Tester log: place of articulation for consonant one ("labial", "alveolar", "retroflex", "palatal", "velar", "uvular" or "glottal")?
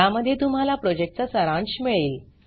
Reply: labial